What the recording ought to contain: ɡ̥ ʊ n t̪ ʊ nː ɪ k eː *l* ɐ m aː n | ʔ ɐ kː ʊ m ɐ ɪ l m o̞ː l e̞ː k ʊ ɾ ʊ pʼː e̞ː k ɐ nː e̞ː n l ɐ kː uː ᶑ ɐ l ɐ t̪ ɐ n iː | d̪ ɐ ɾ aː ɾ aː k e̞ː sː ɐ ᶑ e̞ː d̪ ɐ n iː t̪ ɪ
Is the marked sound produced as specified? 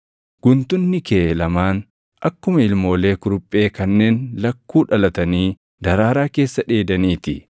yes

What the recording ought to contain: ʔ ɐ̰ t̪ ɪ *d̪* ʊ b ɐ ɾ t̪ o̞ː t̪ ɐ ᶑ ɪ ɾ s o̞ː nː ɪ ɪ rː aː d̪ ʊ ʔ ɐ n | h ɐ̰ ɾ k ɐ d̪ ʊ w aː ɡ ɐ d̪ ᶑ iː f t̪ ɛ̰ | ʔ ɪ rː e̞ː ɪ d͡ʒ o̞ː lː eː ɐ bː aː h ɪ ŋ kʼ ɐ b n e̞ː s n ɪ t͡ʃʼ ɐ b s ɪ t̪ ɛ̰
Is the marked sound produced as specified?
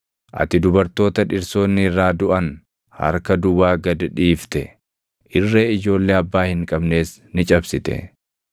yes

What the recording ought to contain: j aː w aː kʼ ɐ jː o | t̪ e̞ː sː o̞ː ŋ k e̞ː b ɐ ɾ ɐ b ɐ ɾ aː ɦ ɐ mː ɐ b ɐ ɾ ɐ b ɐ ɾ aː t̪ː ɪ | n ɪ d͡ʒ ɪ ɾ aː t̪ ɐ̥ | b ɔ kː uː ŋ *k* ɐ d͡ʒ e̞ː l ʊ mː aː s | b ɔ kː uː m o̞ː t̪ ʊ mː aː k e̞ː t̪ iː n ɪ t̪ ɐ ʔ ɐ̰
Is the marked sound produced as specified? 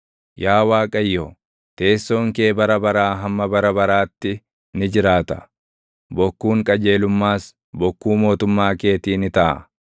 no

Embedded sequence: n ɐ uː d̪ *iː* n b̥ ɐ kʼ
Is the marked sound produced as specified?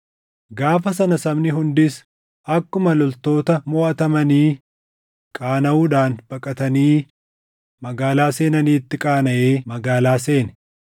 no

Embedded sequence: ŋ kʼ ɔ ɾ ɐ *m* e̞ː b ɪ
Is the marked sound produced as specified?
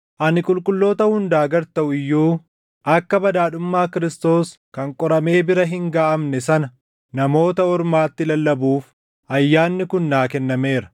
yes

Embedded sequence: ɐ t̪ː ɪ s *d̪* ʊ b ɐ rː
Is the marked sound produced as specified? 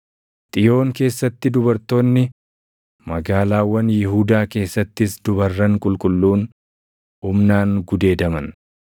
yes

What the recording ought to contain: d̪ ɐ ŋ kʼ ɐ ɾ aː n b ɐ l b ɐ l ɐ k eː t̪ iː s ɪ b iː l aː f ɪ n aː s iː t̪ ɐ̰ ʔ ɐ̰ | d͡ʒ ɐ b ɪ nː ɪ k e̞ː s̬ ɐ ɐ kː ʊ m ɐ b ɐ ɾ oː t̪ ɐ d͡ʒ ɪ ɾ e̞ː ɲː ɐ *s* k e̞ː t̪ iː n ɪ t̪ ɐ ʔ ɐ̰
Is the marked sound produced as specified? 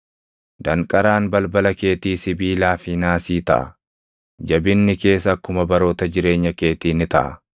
no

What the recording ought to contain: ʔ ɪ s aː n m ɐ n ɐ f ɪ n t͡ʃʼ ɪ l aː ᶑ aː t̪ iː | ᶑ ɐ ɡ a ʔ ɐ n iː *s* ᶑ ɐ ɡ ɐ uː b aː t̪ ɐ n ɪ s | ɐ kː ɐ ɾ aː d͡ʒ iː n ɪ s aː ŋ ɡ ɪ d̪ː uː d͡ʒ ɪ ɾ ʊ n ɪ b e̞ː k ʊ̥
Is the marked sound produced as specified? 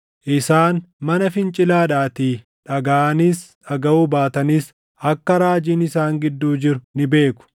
yes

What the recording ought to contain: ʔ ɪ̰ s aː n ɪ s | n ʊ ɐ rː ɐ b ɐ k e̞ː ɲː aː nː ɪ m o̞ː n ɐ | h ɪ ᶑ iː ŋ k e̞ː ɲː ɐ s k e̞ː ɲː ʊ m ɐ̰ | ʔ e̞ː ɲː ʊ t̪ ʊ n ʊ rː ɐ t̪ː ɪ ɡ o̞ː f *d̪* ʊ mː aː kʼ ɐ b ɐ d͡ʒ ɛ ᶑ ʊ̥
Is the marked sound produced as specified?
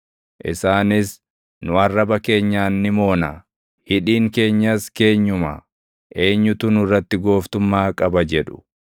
no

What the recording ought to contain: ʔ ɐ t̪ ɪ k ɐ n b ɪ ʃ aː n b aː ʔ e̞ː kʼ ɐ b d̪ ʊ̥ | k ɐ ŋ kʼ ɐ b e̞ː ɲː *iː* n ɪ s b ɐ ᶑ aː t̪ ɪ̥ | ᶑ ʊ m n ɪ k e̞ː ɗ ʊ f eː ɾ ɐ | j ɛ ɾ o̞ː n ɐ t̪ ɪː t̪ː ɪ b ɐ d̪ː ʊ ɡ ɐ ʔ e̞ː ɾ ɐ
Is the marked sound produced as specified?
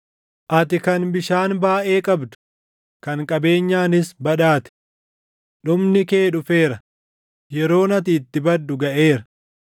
no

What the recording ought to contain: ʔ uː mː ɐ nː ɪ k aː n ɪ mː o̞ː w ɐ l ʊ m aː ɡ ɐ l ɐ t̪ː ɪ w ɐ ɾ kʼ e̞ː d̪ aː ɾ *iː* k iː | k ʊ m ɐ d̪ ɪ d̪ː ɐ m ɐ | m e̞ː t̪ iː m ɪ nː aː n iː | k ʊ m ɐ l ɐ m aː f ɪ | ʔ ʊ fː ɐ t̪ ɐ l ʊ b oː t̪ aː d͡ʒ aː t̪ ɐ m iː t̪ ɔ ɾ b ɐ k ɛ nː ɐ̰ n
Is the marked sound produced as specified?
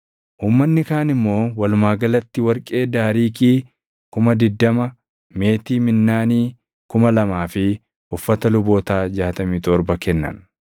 yes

